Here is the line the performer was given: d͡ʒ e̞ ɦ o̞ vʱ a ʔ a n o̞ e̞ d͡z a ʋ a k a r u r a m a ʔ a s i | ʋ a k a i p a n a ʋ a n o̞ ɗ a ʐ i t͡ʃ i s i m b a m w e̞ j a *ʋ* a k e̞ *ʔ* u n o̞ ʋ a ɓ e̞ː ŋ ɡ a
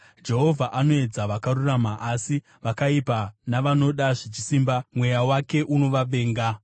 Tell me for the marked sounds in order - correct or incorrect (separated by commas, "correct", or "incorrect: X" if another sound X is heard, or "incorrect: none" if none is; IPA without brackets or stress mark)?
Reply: incorrect: w, correct